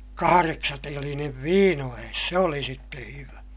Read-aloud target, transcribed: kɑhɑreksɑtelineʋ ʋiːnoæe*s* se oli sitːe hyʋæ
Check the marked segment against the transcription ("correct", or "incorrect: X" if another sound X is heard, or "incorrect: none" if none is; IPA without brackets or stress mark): correct